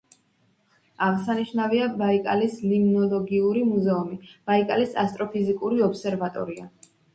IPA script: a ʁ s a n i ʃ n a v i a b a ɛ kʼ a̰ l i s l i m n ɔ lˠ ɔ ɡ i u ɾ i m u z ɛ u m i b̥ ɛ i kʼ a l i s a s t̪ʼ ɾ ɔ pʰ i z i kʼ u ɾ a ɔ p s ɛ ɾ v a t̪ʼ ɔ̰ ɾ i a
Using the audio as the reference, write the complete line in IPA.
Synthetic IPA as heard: a ʁ s a n i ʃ n a v i a b a i kʼ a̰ l i s l i m n ɔ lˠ ɔ ɡ i u ɾ i m u z ɛ u m i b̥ a i kʼ a l i s a s t̪ʼ ɾ ɔ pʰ i z i kʼ u ɾ i ɔ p s ɛ ɾ v a t̪ʼ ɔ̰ ɾ i a

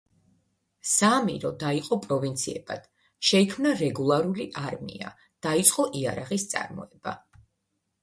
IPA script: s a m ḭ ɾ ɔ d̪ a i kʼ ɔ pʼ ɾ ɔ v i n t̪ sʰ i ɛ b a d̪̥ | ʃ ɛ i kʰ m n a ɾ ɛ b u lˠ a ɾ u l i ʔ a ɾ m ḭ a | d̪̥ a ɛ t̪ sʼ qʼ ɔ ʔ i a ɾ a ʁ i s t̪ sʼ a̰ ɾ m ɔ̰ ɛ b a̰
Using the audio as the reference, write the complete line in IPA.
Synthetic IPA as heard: s a m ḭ ɾ ɔ d̪ a i qʼ ɔ pʼ ɾ ɔ v i n t̪ sʰ i ɛ b a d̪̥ | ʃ ɛ i kʰ m n a ɾ ɛ ɡ u lˠ a ɾ u l i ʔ a ɾ m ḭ a | d̪̥ a i t̪ sʼ qʼ ɔ ʔ i a ɾ a ʁ i s t̪ sʼ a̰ ɾ m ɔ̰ ɛ b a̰

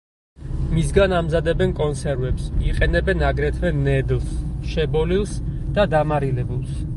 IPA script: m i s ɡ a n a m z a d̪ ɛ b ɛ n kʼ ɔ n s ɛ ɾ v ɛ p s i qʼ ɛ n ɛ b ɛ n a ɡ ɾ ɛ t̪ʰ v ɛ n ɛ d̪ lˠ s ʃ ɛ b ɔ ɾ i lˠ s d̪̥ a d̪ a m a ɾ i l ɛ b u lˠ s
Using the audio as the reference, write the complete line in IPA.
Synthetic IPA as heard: m i s ɡ a n a m z a d̪ ɛ b ɛ n kʼ ɔ n s ɛ ɾ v ɛ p s i qʼ ɛ n ɛ b ɛ n a ɡ ɾ ɛ t̪ʰ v ɛ n ɛ d̪ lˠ s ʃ ɛ b ɔ l i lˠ s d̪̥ a d̪ a m a ɾ i l ɛ b u lˠ s

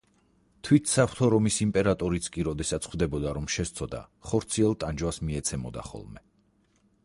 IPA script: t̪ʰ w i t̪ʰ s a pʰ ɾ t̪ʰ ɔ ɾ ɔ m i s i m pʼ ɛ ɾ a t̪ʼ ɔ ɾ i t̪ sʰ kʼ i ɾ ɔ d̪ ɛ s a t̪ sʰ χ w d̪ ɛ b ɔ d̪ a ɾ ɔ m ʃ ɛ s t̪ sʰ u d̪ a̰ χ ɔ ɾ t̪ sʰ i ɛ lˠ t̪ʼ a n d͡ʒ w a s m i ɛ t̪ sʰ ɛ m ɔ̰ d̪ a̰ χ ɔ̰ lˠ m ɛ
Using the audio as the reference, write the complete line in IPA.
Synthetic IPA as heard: t̪ʰ w i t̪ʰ s a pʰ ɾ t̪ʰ ɔ ɾ ɔ m i s i m pʼ ɛ ɾ a t̪ʼ ɔ ɾ i t̪ sʰ kʼ i ɾ ɔ d̪ ɛ s a t̪ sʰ χ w d̪ ɛ b ɔ d̪ a ɾ ɔ m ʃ ɛ s t̪ sʰ ɔ d̪ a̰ χ ɔ ɾ t̪ sʰ i ɛ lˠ t̪ʼ a n d͡ʒ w a s m i ɛ t̪ sʰ ɛ m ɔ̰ d̪ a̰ χ ɔ̰ lˠ m ɛ

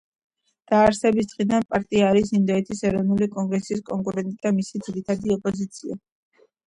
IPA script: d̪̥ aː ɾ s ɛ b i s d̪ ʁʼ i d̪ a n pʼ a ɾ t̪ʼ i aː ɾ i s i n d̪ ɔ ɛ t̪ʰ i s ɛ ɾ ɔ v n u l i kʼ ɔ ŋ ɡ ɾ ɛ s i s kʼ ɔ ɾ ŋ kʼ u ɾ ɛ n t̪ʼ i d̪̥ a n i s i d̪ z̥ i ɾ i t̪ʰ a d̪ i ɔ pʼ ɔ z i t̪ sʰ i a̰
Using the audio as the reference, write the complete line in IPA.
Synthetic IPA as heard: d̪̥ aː ɾ s ɛ b i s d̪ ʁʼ i d̪ a n pʼ a ɾ t̪ʼ i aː ɾ i s i n d̪ ɔ ɛ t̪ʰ i s ɛ ɾ ɔ v n u l i kʼ ɔ ŋ ɡ ɾ ɛ s i s kʼ ɔ ŋ kʼ u ɾ ɛ n t̪ʼ i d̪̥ a m i s i d̪ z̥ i ɾ i t̪ʰ a d̪ i ɔ pʼ ɔ z i t̪ sʰ i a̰

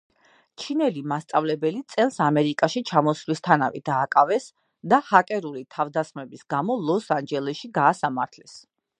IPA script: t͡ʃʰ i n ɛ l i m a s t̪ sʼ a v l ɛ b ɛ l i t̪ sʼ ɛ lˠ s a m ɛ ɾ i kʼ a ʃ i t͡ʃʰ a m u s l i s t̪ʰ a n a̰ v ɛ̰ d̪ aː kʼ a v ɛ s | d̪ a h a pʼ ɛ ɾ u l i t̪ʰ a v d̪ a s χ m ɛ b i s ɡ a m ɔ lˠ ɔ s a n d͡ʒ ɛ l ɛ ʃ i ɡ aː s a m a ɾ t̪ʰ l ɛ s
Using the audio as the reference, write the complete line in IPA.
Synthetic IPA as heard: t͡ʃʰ i n ɛ l i m a s t̪ sʼ a v l ɛ b ɛ l i t̪ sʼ ɛ lˠ s a m ɛ ɾ i kʼ a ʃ i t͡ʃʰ a m ɔ s l i s t̪ʰ a n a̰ v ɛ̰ d̪ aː kʼ a v ɛ s | d̪ a h a kʼ ɛ ɾ u l i t̪ʰ a v d̪ a s χ m ɛ b i s ɡ a m ɔ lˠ ɔ s a n d͡ʒ ɛ l ɛ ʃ i ɡ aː s a m a ɾ t̪ʰ l ɛ s

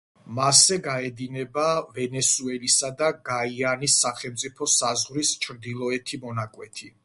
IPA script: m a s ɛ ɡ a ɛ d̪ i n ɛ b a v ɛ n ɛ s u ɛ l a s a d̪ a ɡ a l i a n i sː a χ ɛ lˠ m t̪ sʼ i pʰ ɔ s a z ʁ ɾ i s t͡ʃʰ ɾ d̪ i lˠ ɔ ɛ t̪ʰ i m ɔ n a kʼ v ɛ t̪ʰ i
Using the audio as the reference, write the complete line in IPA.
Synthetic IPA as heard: m a s ɛ ɡ a ɛ d̪ i n ɛ b a v ɛ n ɛ s u ɛ l i s a d̪ a ɡ a i a n i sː a χ ɛ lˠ m t̪ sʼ i pʰ ɔ s a z ʁ ɾ i s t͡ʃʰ ɾ d̪ i lˠ ɔ ɛ t̪ʰ i m ɔ n a kʼ w ɛ t̪ʰ i

